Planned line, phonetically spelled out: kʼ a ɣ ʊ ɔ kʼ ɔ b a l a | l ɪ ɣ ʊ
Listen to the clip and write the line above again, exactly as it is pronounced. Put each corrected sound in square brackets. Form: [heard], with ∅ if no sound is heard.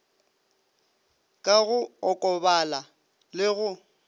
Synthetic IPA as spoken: kʼ a ɣ ʊ ɔ kʼ ɔ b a l a | l ɪ ɣ ʊ